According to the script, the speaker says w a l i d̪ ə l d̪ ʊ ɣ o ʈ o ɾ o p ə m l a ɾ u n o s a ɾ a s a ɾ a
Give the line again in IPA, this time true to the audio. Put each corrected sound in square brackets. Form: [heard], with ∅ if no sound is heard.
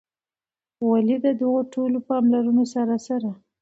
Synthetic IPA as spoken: w a l i d̪ ə [∅] d̪ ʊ ɣ o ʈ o [l] o p [ɑ] m l a ɾ u n o s a ɾ a s a ɾ a